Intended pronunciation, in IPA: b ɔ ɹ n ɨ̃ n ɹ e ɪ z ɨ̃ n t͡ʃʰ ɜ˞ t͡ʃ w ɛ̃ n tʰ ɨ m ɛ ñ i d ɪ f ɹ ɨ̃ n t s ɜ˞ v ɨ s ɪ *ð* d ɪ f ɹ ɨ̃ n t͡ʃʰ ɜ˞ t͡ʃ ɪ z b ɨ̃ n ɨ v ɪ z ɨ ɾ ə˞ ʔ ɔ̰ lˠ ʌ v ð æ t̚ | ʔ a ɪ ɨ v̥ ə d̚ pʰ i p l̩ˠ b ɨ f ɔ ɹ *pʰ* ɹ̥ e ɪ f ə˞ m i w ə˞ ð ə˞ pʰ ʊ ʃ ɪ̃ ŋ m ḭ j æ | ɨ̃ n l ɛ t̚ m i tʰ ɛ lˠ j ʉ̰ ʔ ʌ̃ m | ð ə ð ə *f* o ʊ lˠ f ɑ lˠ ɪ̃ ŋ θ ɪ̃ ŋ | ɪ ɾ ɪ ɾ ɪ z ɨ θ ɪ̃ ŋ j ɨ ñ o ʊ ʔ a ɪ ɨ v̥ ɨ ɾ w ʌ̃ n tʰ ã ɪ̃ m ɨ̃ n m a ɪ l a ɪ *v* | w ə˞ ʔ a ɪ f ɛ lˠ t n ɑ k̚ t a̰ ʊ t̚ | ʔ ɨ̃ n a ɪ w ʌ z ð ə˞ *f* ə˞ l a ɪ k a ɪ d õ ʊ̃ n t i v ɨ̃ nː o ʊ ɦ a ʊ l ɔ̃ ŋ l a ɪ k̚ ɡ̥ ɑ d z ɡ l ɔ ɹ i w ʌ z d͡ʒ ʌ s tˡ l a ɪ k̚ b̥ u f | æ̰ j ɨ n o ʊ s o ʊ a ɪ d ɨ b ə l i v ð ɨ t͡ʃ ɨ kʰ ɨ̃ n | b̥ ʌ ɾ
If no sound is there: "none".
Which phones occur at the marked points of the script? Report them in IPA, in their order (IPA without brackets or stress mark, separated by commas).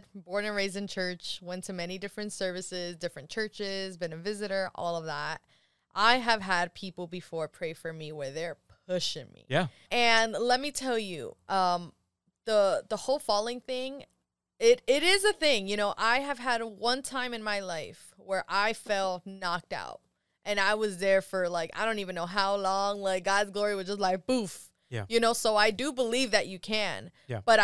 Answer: z, pʰ, h, f, f